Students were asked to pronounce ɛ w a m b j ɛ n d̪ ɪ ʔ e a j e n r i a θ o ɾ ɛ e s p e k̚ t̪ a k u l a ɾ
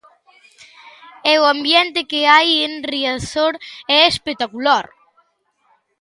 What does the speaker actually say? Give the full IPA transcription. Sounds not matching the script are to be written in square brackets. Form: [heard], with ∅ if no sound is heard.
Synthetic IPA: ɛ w a m b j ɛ n [t̪] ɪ [k] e a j e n r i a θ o ɾ ɛ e s p e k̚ t̪ a k u l a ɾ

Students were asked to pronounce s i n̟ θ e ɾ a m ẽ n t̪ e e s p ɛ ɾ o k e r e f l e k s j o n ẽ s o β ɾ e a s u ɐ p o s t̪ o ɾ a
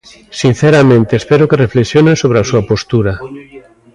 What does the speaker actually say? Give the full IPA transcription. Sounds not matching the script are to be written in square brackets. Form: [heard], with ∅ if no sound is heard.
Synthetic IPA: s i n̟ θ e ɾ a m ẽ n t̪ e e s p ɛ ɾ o k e r e f l e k s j o n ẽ s o β ɾ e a s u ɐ p o s t̪ [u] ɾ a

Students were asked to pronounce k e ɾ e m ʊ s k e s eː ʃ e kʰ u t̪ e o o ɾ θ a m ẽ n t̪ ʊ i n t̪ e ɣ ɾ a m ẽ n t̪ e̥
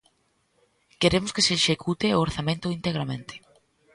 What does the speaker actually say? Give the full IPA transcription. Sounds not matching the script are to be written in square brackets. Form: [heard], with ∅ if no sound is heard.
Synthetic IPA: k e ɾ e m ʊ s k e s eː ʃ e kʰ u t̪ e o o ɾ θ a m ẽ n t̪ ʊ i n t̪ e ɣ ɾ a m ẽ n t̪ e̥

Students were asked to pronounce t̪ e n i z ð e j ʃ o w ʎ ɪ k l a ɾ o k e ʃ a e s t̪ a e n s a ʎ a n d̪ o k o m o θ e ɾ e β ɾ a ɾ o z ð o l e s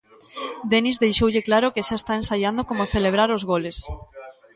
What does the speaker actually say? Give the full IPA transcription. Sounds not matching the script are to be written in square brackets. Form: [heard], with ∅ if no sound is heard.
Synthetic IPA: [d̪] e n i z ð e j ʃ o w ʎ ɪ k l a ɾ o k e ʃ a e s t̪ a e n s a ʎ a n d̪ o k o m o θ e [l] e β ɾ a ɾ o z [ɣ] o l e s

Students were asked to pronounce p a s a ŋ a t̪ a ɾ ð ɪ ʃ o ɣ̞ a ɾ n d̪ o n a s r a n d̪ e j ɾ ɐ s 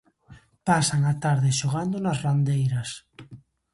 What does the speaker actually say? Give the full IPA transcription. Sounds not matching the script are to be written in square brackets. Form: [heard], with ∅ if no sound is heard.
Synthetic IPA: p a s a ŋ a t̪ a ɾ ð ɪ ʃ o ɣ̞ a [∅] n d̪ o n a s r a n d̪ e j ɾ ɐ s

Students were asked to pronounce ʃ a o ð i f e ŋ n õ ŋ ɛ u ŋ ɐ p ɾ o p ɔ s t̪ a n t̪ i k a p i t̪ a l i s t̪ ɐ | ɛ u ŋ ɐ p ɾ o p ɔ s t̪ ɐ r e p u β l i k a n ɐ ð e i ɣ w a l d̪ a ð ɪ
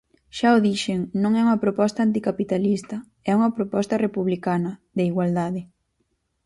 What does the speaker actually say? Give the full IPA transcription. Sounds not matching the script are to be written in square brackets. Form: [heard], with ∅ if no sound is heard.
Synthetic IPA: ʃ a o ð i [ʃ] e ŋ n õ ŋ ɛ u ŋ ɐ p ɾ o p ɔ s t̪ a n t̪ i k a p i t̪ a l i s t̪ ɐ | ɛ u ŋ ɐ p ɾ o p ɔ s t̪ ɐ r e p u β l i k a n ɐ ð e i ɣ w a l d̪ a ð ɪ

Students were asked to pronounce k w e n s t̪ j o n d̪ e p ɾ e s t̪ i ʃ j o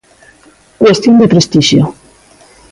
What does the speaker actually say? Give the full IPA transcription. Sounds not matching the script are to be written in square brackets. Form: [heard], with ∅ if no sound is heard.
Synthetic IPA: k w e [∅] s t̪ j o n d̪ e p ɾ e s t̪ i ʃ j o

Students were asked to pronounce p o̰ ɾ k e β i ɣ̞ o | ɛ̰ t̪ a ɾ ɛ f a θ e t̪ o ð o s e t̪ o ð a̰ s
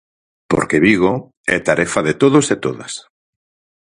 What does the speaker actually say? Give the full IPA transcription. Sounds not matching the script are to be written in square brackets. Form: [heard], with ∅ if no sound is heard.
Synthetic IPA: p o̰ ɾ k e β i ɣ̞ o | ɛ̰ t̪ a ɾ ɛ f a [ð] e t̪ o ð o s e t̪ o ð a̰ s

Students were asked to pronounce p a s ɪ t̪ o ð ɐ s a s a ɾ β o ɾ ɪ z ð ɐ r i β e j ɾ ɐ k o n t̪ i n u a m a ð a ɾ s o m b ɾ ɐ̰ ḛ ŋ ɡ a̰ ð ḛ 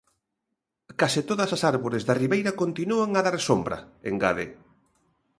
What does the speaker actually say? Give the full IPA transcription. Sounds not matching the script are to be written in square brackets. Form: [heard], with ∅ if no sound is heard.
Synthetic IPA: [k] a s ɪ t̪ o ð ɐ s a s a ɾ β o ɾ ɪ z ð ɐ r i β e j ɾ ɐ k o n t̪ i n u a [ŋ] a ð a ɾ s o m b ɾ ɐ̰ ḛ ŋ ɡ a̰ ð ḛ

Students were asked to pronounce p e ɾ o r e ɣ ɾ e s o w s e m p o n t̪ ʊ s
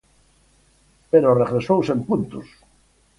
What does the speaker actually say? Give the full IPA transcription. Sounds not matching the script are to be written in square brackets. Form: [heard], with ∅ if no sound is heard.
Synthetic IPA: p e ɾ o r e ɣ ɾ e s o w s e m p [u] n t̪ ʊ s

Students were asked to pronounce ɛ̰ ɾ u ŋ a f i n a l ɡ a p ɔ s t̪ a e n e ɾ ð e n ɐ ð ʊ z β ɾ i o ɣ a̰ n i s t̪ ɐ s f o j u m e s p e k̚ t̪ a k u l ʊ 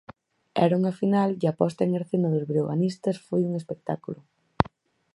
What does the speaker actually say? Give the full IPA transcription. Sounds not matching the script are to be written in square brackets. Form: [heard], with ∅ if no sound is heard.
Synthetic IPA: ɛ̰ ɾ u ŋ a f i n a l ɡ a p ɔ s t̪ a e [ŋ] e ɾ [θ] e n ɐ ð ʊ z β ɾ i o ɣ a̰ n i s t̪ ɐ s f o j u [ŋ] e s p e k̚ t̪ a k u l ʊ

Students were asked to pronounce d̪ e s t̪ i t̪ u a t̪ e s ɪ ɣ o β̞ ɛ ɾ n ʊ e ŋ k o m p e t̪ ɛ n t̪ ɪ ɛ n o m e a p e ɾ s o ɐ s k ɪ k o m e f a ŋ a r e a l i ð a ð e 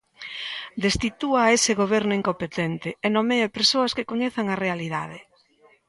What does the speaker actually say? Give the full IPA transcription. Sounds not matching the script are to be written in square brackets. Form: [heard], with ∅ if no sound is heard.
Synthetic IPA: d̪ e s t̪ i t̪ u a [∅] e s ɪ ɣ o β̞ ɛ ɾ n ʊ [i] ŋ k o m p e t̪ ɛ n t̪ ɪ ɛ n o m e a p e ɾ s o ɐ s k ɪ k o [ɲ] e [θ] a ŋ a r e a l i ð a ð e

